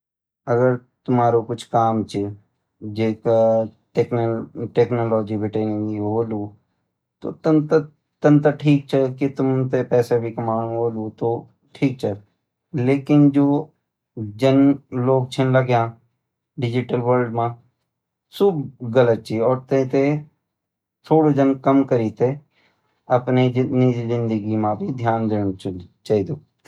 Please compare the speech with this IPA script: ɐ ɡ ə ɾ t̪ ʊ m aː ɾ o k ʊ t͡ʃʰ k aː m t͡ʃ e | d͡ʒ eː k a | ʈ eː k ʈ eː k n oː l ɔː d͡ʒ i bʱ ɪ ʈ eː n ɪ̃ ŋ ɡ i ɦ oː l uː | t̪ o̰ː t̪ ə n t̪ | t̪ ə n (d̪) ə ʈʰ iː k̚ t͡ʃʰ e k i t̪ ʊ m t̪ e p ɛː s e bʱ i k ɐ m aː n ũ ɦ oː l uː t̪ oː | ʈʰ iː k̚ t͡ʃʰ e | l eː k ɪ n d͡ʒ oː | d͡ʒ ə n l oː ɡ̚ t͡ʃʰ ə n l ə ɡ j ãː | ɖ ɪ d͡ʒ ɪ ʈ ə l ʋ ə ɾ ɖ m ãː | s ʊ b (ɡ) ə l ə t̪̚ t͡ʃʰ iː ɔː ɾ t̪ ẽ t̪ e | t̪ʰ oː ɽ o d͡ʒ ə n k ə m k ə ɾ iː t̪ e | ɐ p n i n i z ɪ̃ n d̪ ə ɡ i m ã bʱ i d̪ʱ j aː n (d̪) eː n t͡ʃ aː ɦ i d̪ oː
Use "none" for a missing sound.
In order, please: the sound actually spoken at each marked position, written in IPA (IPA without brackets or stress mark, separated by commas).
t̪, ɡ, d̪